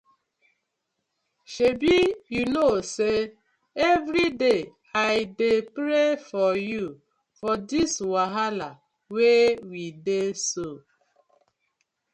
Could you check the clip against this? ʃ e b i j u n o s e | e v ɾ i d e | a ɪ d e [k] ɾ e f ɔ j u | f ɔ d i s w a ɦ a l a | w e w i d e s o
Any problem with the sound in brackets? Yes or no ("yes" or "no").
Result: yes